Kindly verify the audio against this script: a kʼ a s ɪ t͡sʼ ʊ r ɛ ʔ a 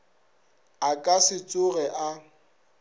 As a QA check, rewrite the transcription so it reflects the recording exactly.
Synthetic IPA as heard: a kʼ a s ɪ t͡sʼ ʊ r ɛ ʔ a